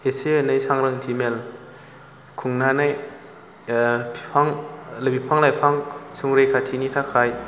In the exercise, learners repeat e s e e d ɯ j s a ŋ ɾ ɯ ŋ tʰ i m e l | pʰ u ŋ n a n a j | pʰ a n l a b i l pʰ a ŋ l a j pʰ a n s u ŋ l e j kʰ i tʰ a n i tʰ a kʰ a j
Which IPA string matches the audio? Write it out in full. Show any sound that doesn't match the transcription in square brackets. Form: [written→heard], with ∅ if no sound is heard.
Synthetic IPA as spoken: e s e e [d→n] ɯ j s a ŋ ɾ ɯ ŋ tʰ i m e l | [pʰ→kʰ] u ŋ n a n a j | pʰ a [n→ŋ] l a b i [l→∅] pʰ a ŋ l a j pʰ a [n→ŋ] s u ŋ [l→ɾ] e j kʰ [i→a] tʰ [a→i] n i tʰ a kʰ a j